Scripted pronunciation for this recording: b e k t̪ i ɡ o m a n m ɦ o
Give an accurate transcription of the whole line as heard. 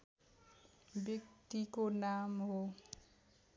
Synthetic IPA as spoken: b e k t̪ i k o n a m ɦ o